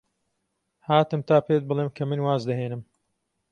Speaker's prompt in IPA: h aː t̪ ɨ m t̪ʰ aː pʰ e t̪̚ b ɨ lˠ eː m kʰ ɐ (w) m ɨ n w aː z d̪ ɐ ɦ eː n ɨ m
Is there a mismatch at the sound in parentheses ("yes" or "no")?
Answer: yes